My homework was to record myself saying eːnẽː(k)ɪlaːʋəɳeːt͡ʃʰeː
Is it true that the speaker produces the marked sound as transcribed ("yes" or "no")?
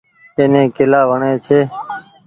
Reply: yes